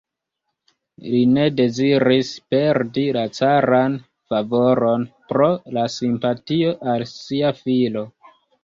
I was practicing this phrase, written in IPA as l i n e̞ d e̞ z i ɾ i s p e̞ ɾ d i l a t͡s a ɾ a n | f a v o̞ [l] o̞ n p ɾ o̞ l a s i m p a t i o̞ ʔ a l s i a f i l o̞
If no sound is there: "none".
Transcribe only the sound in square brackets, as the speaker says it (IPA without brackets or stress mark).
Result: ɾ